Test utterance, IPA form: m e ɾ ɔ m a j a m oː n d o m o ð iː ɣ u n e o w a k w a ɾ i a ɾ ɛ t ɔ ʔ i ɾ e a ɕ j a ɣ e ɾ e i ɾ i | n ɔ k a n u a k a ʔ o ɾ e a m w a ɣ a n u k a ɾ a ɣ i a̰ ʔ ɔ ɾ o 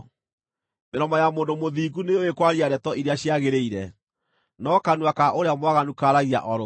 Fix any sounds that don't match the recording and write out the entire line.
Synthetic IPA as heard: m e ɾ ɔ m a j a m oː n d o m o ð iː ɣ u n e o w e k w a ɾ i a ɾ ɛ t ɔ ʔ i ɾ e a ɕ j a ɣ e ɾ e i ɾ ɛ | n ɔ k a n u a k a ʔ o ɾ e a m w a ɣ a n u k a ɾ a ɣ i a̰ ʔ ɔ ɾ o